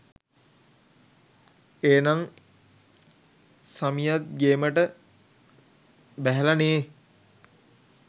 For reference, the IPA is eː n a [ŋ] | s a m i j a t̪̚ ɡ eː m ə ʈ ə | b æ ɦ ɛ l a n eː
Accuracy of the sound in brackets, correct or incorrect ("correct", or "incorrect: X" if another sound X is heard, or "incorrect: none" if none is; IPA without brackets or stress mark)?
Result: correct